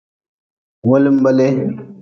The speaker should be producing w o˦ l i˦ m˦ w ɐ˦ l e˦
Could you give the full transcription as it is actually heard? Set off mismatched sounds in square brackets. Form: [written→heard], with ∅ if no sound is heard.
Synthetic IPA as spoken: w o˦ l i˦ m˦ [w→b] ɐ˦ l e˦